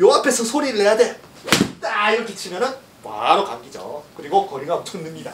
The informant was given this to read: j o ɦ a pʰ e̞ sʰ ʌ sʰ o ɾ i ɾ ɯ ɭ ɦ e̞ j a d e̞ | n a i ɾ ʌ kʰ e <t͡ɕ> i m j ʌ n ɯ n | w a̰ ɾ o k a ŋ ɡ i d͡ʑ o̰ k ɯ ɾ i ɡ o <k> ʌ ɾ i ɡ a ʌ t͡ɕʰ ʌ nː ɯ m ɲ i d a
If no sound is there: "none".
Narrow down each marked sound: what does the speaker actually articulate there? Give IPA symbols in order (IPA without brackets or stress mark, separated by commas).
t͡ɕʰ, k